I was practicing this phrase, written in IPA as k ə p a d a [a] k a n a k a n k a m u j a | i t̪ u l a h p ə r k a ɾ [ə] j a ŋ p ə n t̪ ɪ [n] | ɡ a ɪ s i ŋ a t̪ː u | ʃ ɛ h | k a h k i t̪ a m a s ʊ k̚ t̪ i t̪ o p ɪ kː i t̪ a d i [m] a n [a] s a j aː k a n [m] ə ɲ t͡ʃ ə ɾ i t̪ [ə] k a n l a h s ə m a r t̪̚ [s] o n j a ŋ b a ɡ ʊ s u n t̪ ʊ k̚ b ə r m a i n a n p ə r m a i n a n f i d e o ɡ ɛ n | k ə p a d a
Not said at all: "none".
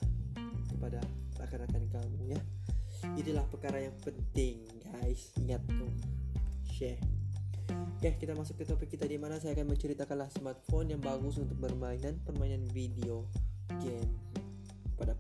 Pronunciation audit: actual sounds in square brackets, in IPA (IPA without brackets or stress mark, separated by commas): a, a, ŋ, m, a, m, a, f